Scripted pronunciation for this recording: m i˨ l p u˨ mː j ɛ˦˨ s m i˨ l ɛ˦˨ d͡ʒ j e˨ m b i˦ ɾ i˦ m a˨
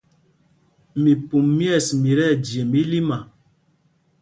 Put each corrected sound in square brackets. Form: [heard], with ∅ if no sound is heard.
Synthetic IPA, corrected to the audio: m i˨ [∅] p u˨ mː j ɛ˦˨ s m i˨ [ɾ] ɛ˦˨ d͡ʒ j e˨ m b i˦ [l] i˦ m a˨